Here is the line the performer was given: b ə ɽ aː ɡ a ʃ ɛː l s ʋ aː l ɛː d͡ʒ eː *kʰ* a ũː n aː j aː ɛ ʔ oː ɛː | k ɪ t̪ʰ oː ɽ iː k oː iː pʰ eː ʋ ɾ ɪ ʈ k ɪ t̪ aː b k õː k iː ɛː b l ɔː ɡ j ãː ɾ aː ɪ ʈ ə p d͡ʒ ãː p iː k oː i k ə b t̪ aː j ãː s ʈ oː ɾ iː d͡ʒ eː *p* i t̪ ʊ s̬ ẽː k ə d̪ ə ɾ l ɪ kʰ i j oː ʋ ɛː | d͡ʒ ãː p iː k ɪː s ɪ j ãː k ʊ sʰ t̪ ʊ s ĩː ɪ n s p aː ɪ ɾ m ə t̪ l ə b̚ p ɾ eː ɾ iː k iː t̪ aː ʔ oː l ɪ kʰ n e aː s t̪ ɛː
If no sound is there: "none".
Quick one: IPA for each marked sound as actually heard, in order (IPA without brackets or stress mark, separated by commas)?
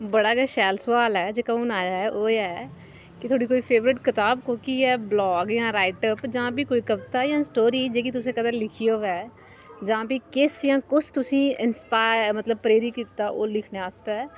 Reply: k, k